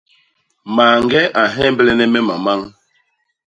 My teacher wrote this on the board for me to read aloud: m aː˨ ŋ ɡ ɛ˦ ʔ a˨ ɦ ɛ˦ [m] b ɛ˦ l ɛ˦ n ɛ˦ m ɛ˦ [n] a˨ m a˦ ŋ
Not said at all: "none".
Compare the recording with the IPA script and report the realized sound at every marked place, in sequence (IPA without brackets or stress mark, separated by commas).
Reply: m, m